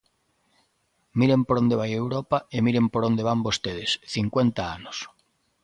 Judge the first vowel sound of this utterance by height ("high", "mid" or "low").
high